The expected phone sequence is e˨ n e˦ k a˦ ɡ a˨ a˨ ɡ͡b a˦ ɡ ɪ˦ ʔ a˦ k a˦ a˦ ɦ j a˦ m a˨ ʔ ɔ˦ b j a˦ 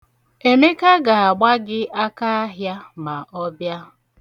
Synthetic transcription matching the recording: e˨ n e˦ k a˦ ɡ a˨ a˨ ɡ͡b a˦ ɡ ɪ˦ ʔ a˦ k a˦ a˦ ɦ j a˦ m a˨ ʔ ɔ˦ b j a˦